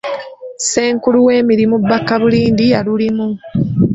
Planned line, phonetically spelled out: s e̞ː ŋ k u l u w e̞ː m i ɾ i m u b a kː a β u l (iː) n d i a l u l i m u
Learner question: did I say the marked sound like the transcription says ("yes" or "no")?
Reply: yes